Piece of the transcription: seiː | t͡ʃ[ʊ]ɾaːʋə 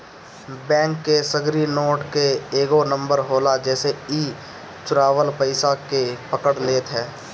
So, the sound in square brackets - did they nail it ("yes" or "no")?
yes